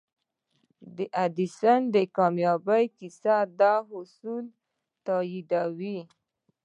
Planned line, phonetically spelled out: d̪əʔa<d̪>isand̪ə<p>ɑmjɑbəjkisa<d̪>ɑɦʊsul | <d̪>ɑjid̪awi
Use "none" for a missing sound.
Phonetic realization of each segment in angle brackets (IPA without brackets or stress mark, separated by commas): d̪, k, d̪, t̪